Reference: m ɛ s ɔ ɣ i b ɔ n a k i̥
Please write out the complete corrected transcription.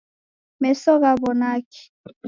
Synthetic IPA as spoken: m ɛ s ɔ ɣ a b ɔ n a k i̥